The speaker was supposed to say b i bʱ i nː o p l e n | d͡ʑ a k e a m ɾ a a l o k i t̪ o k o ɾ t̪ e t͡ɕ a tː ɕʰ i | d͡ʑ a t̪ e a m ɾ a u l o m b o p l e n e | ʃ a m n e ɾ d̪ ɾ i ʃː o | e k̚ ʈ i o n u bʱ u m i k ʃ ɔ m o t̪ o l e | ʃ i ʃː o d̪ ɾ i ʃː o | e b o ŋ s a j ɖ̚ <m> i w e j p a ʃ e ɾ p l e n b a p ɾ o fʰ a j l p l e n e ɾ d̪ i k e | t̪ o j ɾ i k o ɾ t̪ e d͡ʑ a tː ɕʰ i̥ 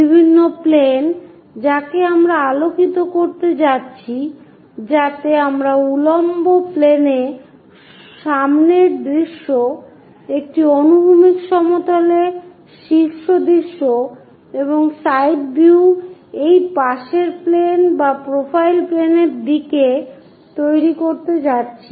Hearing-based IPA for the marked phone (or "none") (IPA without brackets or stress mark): b